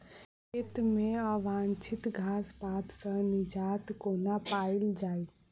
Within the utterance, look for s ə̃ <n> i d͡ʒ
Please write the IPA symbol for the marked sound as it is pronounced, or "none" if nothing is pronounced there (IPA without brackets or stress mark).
n